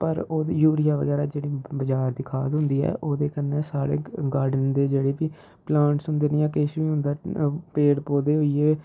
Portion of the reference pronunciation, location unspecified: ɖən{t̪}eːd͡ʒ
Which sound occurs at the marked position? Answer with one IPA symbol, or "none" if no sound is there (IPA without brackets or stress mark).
d̪